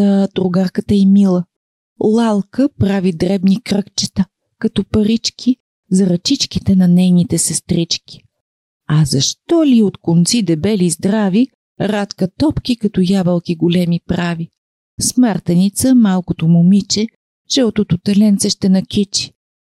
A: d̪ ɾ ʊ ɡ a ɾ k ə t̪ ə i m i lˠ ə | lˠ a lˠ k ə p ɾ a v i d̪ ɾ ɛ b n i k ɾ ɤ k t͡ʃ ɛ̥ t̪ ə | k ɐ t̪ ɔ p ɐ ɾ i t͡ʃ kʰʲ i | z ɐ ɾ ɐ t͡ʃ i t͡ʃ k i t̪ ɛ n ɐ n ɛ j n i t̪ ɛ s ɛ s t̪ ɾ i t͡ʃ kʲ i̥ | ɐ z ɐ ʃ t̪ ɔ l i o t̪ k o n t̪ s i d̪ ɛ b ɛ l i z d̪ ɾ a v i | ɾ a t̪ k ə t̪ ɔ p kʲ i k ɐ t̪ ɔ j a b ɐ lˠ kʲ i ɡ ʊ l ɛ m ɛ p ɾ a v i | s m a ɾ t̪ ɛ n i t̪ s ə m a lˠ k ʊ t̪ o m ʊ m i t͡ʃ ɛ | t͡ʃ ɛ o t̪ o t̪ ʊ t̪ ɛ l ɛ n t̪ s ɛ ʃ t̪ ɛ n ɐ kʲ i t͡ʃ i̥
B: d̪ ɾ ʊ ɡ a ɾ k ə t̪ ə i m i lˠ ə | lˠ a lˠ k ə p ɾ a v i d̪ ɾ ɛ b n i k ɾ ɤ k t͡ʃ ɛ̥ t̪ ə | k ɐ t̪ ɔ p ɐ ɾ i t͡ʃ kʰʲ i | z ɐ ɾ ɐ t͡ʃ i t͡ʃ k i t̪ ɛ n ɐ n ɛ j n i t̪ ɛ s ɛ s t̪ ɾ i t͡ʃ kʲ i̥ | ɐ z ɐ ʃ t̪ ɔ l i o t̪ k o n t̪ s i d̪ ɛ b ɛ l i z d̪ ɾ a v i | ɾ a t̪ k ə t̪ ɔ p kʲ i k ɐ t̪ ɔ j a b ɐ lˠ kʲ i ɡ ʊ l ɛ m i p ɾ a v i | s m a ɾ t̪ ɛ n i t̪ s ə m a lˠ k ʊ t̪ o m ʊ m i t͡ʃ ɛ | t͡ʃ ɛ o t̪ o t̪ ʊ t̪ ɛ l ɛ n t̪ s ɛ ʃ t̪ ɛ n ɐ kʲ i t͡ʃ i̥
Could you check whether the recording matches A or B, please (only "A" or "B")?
B